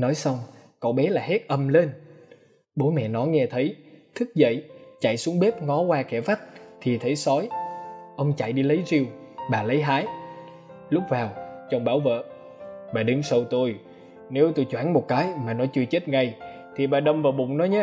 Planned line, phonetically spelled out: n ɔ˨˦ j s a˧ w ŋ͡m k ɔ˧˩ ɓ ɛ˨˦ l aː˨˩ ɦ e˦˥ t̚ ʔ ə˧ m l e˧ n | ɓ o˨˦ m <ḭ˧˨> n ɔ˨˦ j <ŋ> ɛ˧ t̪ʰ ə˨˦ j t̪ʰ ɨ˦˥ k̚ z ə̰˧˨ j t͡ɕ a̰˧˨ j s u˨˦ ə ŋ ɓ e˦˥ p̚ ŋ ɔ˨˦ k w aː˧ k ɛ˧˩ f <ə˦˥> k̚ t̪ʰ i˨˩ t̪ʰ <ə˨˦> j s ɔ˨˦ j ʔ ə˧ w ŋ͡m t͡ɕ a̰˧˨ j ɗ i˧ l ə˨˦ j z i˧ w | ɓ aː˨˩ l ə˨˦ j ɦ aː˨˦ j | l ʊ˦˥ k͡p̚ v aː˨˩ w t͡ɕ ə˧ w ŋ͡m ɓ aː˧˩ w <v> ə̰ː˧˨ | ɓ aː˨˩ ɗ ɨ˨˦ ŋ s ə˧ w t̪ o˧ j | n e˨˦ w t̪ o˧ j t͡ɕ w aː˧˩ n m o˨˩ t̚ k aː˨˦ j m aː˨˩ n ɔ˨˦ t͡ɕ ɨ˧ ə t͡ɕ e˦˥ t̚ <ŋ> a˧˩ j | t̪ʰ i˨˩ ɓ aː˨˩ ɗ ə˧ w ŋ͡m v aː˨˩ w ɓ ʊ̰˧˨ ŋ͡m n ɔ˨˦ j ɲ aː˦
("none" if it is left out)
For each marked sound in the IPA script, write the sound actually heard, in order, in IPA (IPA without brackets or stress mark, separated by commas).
ɛ̰˧˨, ŋ, a˦˥, ə˨˦, v, ŋ